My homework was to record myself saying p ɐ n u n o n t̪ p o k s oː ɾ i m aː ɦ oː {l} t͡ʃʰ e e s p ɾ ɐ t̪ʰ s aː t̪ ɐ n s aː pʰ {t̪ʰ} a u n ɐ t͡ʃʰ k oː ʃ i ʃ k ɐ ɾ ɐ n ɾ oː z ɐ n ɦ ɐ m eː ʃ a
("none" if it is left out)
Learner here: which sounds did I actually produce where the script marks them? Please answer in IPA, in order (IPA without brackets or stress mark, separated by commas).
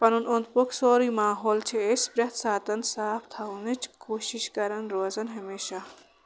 l, t̪ʰ